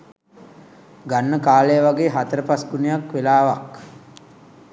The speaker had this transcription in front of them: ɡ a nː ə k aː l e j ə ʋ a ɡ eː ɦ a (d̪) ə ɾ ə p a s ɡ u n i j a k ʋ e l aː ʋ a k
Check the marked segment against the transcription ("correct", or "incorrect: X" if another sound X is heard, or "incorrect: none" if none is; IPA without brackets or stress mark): incorrect: t̪